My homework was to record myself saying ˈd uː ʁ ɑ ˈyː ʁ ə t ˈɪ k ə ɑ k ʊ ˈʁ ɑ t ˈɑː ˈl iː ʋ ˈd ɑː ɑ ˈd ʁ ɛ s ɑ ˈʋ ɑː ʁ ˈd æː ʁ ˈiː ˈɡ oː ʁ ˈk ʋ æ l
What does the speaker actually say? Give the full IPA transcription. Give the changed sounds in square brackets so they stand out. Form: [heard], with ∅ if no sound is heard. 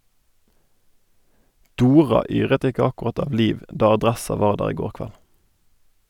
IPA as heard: ˈd uː ʁ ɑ ˈyː ʁ ə t ˈɪ k ə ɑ k ʊ ˈʁ ɑ t ˈɑː ˈl iː ʋ ˈd ɑː ɑ ˈd ʁ ɛ s ɑ ˈʋ ɑː ʁ ˈd æː ʁ ˈiː ˈɡ oː ʁ ˈk ʋ æ l